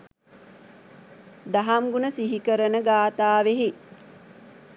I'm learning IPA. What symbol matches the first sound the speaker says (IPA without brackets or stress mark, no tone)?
d̪